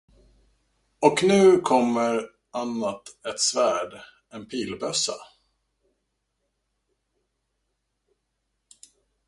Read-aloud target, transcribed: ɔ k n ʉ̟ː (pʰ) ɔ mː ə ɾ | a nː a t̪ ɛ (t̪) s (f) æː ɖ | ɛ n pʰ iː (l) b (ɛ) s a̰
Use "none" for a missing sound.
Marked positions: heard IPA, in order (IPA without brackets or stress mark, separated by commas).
kʰ, t̪, v, l, œ